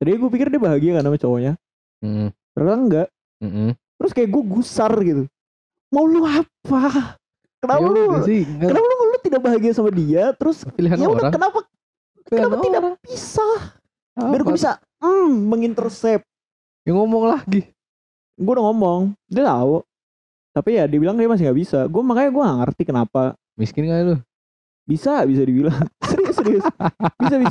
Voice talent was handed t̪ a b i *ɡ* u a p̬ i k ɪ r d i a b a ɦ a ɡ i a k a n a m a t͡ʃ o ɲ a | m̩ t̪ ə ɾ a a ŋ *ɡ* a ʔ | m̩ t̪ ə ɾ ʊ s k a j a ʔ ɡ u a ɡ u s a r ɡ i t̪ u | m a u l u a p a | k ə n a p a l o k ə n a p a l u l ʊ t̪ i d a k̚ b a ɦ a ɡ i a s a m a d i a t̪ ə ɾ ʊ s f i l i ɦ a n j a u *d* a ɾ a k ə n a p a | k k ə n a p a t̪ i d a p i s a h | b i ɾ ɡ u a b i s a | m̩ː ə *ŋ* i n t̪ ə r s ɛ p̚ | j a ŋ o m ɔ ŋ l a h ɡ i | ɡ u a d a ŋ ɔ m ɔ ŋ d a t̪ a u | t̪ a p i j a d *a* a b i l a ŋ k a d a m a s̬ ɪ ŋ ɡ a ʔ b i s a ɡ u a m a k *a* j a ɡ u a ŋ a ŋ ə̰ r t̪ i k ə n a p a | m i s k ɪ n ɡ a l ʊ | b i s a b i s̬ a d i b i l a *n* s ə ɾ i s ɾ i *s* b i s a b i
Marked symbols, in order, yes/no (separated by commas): yes, yes, yes, yes, no, yes, no, yes